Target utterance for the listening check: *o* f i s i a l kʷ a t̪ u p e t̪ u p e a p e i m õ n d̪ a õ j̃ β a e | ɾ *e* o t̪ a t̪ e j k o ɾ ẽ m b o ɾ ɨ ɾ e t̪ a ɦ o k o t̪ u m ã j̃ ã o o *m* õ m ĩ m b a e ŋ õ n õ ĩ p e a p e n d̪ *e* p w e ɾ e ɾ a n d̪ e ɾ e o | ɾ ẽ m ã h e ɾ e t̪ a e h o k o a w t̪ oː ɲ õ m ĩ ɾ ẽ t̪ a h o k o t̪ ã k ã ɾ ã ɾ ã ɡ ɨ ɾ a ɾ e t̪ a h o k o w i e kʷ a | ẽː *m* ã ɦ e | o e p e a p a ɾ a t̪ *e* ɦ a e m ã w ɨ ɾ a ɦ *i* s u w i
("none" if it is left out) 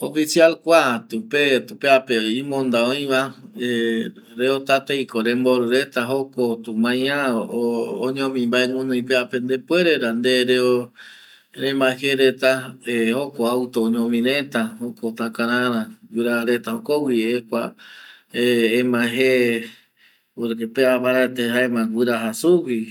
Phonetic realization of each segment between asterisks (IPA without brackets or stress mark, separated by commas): o, e, ɲ, e, m, e, a